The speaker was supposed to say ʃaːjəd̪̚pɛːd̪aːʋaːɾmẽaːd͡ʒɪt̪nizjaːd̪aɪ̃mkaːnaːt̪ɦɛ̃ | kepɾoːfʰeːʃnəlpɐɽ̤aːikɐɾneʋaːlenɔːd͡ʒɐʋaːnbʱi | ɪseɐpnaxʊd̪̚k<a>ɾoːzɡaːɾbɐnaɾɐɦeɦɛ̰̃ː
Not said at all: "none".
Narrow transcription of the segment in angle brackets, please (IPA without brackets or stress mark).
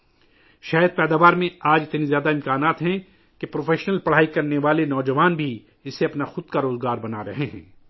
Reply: a